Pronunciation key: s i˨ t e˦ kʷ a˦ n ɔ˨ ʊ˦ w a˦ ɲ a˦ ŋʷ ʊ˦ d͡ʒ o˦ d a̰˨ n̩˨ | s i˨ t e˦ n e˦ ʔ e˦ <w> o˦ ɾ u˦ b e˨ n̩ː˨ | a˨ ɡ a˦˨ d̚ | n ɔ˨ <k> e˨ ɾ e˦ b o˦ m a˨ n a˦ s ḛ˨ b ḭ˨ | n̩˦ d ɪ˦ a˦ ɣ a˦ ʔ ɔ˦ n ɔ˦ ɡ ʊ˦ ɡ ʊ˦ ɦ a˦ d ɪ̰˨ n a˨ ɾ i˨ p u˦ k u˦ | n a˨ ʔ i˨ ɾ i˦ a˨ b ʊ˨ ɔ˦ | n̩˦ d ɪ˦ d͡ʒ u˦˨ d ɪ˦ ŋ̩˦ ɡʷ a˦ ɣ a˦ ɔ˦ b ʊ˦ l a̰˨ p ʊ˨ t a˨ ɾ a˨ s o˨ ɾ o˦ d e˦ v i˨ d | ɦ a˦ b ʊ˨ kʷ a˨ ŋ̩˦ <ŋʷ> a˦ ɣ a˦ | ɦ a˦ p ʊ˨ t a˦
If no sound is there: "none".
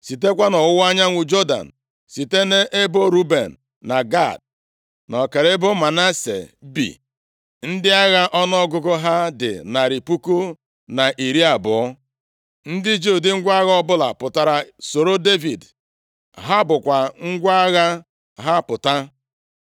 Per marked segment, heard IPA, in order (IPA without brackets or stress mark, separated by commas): b, k, ɡʷ